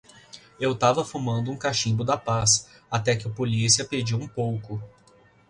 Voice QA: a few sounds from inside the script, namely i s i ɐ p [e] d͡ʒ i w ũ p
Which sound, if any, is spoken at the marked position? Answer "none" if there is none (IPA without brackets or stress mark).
e